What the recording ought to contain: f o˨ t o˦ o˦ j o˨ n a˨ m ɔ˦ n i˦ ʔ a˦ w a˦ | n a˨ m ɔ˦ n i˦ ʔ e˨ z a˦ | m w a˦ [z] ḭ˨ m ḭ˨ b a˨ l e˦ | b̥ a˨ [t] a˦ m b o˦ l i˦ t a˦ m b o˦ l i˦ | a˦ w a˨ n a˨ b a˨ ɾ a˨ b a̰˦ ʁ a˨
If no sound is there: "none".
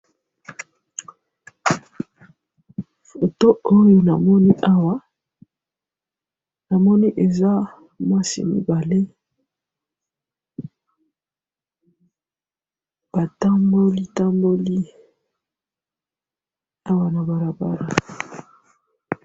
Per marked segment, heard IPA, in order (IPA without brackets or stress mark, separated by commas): s, t